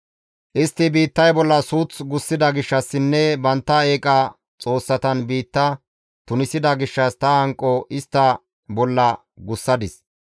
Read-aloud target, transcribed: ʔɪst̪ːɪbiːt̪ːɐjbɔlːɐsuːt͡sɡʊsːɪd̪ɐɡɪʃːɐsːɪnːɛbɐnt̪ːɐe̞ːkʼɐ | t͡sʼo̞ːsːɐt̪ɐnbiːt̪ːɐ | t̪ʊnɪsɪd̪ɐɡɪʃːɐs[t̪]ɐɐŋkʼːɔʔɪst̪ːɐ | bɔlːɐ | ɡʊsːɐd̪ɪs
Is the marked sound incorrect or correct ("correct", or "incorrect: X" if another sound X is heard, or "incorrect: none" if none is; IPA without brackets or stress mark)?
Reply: correct